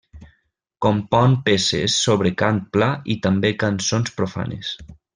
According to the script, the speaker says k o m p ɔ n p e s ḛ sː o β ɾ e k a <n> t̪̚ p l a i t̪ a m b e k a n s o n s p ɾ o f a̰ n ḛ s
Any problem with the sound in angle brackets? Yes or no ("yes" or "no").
no